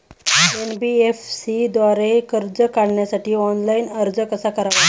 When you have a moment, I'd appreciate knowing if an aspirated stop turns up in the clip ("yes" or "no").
no